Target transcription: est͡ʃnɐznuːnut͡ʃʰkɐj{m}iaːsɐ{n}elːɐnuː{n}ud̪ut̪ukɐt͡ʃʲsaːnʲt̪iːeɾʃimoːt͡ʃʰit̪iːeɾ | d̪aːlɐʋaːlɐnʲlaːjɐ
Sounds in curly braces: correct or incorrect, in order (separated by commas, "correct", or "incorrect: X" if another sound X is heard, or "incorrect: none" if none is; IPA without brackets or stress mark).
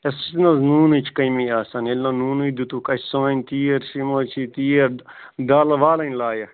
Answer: correct, correct, correct